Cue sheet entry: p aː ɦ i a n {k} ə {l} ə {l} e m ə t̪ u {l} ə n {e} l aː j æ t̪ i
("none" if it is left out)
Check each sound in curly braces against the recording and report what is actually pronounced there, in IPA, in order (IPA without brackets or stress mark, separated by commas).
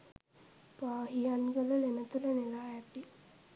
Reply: ɡ, l, l, l, e